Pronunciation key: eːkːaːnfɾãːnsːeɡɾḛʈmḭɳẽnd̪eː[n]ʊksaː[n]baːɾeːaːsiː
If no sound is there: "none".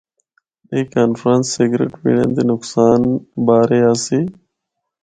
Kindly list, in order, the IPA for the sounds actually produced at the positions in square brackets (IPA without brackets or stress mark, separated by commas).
n, n